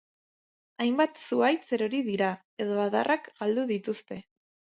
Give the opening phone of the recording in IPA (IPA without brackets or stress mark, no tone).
a